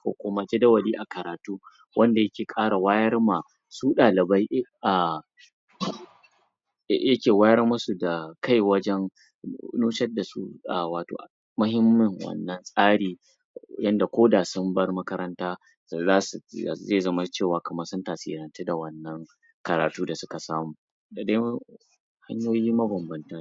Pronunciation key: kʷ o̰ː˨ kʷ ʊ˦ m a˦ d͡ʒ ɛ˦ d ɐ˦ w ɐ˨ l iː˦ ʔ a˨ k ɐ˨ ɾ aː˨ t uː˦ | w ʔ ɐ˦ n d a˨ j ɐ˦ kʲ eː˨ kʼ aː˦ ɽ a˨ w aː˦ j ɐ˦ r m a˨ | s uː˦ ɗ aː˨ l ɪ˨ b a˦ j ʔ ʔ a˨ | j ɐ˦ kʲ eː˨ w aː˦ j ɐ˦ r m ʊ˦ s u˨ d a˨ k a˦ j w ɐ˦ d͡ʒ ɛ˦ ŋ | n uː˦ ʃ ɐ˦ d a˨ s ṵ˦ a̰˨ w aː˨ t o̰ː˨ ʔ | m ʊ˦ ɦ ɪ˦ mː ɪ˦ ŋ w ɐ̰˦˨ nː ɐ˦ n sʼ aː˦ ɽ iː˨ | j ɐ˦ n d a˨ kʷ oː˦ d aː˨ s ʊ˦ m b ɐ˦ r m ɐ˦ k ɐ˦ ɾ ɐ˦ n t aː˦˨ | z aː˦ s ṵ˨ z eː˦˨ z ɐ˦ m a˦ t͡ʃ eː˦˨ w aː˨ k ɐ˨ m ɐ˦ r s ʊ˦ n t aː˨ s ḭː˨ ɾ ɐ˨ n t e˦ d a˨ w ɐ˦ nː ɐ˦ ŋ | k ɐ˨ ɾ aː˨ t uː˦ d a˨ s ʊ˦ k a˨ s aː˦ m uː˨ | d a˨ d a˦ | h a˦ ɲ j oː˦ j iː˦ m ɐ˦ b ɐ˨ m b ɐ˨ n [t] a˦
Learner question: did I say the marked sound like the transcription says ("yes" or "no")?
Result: yes